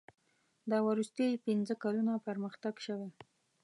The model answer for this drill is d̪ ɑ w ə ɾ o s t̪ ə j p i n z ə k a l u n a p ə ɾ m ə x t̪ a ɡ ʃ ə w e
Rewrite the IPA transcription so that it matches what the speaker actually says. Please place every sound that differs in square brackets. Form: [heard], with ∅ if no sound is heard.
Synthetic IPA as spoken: d̪ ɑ w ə ɾ [u] s t̪ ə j p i n z ə k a l u n a p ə ɾ m ə x t̪ a ɡ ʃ ə w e